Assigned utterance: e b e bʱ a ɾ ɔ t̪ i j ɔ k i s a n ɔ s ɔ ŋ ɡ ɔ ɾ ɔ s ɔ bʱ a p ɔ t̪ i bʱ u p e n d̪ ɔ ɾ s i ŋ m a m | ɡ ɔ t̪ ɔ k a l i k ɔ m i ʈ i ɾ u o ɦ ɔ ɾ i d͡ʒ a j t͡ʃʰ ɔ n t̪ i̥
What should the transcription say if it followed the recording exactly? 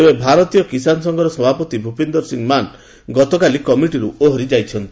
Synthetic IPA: e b e bʱ a ɾ ɔ t̪ i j ɔ k i s a n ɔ s ɔ ŋ ɡ ɔ ɾ ɔ s ɔ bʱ a p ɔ t̪ i bʱ u p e n d̪ ɔ ɾ s i ŋ m a n | ɡ ɔ t̪ ɔ k a l i k ɔ m i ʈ i ɾ u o ɦ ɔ ɾ i d͡ʒ a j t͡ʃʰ ɔ n t̪ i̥